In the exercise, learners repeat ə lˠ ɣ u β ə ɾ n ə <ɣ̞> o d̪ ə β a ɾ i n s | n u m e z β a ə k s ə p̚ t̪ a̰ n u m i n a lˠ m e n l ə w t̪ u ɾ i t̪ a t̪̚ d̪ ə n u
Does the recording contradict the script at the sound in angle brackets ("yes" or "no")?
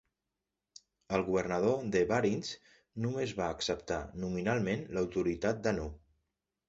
yes